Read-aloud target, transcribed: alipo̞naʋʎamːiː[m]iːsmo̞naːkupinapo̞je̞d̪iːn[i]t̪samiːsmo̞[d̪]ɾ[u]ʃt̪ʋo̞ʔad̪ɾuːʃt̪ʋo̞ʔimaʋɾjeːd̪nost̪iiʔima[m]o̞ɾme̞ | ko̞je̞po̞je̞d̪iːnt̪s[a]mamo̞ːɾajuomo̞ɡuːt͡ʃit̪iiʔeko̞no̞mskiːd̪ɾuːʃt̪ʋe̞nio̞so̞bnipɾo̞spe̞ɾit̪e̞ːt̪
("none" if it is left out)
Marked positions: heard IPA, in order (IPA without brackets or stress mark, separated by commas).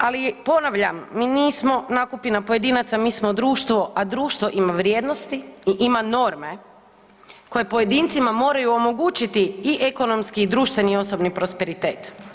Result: n, a, d̪, uː, n, i